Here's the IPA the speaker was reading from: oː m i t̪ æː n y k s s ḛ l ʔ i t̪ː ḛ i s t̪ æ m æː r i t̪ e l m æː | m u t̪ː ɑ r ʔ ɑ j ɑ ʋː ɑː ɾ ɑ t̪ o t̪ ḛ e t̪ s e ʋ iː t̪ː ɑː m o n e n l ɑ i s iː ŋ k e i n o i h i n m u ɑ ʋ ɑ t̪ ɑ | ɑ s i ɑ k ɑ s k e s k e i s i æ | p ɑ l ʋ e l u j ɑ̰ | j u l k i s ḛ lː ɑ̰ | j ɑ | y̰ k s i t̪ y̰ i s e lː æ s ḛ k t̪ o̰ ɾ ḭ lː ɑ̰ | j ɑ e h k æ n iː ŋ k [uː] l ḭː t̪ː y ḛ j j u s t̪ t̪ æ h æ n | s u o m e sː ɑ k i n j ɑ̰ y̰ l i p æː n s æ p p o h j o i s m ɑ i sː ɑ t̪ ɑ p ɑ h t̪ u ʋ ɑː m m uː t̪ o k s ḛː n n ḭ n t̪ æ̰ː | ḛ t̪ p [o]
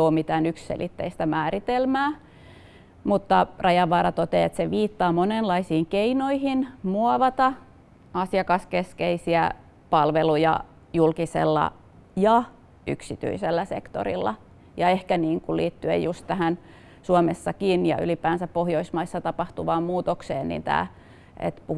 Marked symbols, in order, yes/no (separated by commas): no, no